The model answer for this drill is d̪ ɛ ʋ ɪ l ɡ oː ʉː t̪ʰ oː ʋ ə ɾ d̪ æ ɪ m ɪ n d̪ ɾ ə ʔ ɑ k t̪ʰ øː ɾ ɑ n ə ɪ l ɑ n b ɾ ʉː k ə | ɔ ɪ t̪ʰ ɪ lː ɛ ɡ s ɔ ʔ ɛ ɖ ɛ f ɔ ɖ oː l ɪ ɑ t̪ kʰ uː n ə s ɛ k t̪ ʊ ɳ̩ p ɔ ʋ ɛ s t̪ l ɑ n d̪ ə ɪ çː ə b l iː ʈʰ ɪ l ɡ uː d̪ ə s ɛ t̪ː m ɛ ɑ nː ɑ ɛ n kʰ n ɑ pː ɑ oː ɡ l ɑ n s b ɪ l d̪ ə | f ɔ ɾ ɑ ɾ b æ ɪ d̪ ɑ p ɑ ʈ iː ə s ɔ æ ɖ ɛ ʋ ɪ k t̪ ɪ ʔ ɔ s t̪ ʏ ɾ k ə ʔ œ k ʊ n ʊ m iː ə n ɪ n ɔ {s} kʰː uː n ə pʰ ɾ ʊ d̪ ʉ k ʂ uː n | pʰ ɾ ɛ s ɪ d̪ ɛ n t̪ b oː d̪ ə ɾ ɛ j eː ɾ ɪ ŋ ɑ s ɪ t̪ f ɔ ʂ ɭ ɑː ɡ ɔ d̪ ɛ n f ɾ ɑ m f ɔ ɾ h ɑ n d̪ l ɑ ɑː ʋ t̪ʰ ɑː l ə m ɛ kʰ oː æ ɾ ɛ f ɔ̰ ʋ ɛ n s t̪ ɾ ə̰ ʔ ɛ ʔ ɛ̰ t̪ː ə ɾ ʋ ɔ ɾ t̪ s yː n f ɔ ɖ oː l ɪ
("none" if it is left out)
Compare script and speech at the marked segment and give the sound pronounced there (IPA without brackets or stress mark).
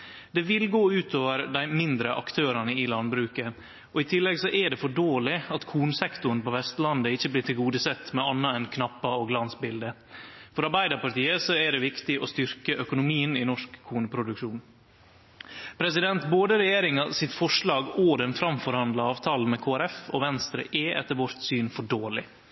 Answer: ʂ